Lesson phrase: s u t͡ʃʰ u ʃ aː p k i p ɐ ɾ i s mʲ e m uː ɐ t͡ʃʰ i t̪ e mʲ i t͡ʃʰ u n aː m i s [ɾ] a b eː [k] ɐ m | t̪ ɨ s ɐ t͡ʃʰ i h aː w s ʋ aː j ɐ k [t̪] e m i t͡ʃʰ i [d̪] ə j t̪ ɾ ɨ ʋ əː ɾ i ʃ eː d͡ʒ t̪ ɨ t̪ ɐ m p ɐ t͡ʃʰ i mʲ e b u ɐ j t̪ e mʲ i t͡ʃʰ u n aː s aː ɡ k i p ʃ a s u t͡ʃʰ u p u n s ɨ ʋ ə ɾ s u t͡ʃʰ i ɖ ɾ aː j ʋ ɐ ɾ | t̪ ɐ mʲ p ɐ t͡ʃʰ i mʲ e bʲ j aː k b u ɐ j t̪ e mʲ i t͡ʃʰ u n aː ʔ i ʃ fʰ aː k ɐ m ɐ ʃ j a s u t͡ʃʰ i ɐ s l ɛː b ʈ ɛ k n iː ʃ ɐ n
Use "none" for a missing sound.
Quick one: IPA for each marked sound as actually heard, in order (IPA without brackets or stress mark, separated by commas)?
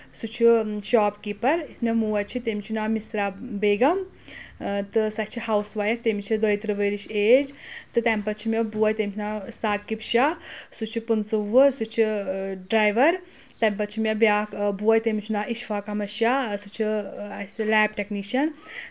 ɾ, ɡ, t̪, d̪